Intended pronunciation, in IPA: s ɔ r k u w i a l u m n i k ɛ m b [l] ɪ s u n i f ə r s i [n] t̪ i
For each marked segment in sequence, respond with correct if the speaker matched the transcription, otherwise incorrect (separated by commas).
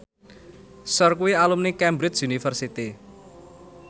incorrect, incorrect